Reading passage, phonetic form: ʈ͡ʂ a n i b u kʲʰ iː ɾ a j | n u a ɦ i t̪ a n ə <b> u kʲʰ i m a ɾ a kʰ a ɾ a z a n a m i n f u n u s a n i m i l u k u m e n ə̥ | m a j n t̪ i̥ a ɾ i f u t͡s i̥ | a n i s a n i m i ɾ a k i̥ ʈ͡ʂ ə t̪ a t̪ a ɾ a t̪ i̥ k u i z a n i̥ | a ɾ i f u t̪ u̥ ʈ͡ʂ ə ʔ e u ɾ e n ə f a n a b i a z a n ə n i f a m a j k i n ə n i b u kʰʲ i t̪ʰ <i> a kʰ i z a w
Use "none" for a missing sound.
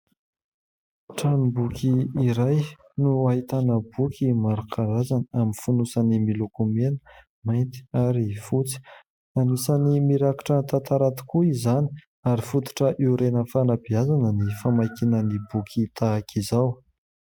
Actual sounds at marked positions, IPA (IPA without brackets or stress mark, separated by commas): b, a